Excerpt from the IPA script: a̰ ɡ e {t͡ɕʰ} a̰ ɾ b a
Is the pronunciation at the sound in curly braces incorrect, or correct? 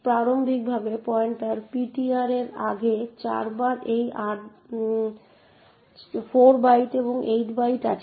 incorrect